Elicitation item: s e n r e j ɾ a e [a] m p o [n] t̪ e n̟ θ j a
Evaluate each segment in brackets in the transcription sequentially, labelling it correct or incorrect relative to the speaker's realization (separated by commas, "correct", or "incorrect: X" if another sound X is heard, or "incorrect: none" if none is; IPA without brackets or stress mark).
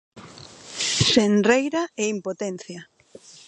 incorrect: i, incorrect: none